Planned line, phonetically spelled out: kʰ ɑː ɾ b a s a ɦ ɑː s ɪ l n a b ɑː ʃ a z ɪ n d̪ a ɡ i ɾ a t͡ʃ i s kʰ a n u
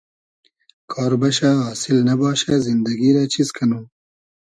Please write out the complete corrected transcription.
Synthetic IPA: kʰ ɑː ɾ b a ʃ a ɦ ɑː s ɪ l n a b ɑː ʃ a z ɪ n d̪ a ɡ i ɾ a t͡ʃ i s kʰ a n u